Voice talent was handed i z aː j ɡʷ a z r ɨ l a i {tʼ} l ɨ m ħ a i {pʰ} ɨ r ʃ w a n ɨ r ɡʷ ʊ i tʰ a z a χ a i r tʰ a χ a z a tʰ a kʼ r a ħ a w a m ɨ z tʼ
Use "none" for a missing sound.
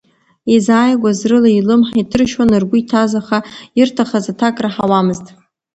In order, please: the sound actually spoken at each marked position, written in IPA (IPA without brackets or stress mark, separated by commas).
none, tʰ